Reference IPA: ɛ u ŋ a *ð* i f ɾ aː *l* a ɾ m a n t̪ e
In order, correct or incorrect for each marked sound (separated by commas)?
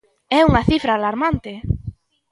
incorrect, correct